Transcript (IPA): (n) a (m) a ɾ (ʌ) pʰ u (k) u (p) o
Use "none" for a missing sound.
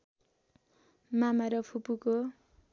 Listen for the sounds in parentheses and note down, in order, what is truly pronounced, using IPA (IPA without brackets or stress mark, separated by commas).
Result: m, m, ʌ, p, k